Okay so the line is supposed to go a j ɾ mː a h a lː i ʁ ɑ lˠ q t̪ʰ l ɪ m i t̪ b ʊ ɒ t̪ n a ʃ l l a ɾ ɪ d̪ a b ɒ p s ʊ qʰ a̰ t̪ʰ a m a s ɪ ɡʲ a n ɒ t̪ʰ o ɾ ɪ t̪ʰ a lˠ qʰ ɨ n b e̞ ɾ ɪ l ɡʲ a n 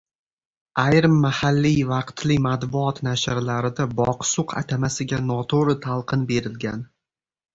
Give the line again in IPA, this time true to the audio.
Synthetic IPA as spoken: a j ɾ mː a h a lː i v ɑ q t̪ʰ l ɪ m a t̪ b ʊ ɒ t̪ n a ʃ ɾ l a ɾ ɪ d̪ a b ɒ q s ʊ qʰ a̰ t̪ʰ a m a s ɪ ɡʲ a n ɒ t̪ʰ o ɾ ɪ t̪ʰ a lˠ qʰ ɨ n b e̞ ɾ ɪ l ɡʲ a n